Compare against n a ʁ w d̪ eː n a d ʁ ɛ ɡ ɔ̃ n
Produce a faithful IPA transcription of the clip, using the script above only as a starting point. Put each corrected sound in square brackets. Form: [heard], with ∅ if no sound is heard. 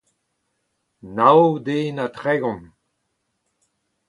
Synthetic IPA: n a [∅] w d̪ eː n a [t] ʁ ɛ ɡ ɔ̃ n